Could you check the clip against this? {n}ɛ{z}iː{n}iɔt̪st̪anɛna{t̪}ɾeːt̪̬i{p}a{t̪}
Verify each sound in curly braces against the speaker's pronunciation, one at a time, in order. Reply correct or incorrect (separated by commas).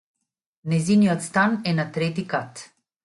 correct, correct, correct, correct, incorrect, correct